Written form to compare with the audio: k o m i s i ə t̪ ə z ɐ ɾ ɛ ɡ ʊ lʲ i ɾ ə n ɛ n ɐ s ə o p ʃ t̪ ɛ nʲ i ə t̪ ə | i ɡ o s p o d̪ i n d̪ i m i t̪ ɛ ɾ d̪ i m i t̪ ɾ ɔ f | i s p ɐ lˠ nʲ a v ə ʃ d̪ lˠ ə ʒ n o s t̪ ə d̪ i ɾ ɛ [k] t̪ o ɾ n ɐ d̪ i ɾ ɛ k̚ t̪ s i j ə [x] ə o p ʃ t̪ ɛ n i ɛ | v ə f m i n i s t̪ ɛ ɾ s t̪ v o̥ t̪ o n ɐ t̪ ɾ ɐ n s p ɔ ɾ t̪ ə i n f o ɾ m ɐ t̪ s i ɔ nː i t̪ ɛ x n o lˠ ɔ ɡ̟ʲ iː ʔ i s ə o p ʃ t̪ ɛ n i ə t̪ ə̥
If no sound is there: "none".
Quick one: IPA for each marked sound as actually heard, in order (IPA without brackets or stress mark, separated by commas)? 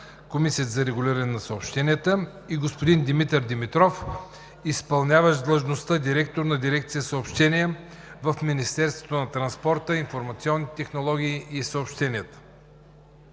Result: k, s